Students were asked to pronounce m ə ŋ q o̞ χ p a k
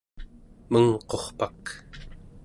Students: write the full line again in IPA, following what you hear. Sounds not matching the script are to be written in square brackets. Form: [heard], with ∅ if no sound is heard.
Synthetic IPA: m ə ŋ q o̞ χ p a k

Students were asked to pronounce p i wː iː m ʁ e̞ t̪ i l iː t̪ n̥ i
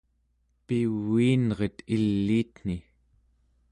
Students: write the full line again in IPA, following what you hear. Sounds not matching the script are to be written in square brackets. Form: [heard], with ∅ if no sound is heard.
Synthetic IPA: p i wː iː [n] ʁ e̞ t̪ i [lː] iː t̪ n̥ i

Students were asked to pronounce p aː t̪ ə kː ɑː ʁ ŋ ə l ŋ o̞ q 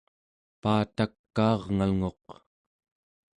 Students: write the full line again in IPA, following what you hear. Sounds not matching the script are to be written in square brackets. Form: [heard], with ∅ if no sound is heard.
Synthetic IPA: p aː t̪ [a] kː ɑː ʁ ŋ [a] l ŋ o̞ q

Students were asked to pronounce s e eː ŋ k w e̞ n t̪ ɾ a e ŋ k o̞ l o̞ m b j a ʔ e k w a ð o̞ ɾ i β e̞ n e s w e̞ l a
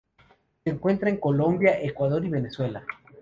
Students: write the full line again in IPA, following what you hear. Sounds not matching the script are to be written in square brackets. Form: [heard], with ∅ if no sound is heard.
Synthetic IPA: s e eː ŋ k w e̞ n t̪ ɾ a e ŋ k o̞ l o̞ m b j a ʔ e k w a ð o̞ ɾ i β e̞ n e s w e̞ l a

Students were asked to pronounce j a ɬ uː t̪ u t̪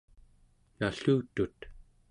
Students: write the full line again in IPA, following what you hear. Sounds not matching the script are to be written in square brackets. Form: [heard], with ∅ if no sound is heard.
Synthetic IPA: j a ɬ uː t̪ u t̪

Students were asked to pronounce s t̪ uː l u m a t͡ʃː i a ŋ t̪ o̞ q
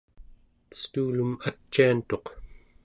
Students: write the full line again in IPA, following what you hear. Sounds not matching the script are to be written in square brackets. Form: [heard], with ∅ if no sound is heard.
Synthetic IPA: s t̪ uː l u m a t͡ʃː i a [n] t̪ o̞ q

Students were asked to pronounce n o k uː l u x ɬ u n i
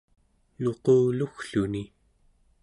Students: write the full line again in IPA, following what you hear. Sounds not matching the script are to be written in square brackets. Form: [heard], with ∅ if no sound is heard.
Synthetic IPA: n o [q] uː l u x ɬ u n i

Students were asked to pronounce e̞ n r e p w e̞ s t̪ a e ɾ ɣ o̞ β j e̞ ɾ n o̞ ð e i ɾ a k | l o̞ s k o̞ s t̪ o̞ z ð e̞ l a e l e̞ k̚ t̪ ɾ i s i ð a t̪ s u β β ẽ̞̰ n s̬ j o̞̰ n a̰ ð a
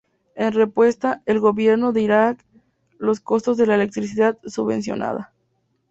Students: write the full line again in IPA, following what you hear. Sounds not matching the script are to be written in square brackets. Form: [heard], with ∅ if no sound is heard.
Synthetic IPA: e̞ n r e p w e̞ s t̪ a e [l] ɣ o̞ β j e̞ ɾ n o̞ ð e i ɾ a k | l o̞ s k o̞ s t̪ o̞ z ð e̞ l a e l e̞ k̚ t̪ ɾ i s i ð a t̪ s u β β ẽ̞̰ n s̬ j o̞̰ n a̰ ð a

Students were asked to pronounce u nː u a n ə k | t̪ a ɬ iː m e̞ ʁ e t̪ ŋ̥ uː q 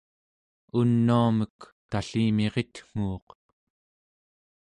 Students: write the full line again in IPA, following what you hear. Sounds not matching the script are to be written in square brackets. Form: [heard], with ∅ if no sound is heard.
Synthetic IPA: u nː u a [m] ə k | t̪ a ɬ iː m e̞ ʁ e t̪ ŋ̥ uː q

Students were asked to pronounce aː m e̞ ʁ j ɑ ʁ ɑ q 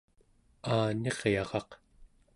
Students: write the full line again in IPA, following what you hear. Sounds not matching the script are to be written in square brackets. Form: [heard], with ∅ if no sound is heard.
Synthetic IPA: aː [n] e̞ ʁ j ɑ ʁ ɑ q

